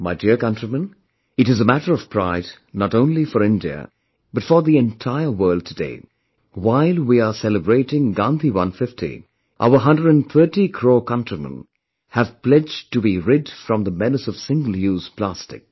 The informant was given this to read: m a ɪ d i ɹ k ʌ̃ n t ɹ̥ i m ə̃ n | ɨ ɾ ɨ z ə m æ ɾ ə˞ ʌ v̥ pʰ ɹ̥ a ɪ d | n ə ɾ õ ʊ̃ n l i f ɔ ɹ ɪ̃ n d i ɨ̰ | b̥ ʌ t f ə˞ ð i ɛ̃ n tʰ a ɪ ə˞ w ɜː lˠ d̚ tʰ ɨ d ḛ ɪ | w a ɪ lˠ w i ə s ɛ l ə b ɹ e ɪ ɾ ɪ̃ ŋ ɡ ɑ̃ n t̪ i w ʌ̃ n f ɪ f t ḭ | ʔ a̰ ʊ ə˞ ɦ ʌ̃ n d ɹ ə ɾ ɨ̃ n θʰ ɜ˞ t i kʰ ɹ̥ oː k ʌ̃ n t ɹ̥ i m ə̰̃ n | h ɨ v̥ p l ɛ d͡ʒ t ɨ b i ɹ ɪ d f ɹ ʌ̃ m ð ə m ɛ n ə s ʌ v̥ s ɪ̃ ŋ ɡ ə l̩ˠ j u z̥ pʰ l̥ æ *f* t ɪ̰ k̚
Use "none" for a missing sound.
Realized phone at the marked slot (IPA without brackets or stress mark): s